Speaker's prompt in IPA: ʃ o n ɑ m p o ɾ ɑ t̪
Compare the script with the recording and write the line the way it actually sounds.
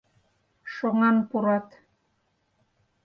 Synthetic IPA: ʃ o ŋ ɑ n p u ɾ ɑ t̪